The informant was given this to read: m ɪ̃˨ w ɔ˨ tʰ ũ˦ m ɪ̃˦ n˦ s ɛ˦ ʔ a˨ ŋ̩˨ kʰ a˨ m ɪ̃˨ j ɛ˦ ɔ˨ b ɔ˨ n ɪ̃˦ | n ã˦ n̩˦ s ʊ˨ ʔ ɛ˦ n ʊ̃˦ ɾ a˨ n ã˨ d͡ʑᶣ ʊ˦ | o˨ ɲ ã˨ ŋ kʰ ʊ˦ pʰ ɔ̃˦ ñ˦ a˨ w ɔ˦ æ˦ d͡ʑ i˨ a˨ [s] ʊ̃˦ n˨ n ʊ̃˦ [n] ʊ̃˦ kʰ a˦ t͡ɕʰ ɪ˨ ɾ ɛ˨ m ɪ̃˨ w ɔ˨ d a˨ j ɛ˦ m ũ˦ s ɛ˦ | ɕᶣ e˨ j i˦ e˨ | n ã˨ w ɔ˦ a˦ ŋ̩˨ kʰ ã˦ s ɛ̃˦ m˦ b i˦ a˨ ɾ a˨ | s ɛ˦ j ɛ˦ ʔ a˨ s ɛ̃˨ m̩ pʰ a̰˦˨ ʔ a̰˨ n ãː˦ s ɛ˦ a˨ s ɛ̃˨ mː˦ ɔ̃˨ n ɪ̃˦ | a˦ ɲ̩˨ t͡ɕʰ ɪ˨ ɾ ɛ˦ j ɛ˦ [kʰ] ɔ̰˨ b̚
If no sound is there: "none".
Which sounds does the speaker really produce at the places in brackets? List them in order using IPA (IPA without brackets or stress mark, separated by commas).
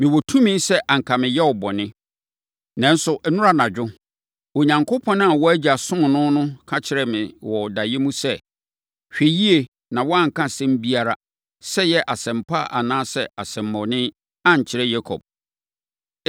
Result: s, n, kʰ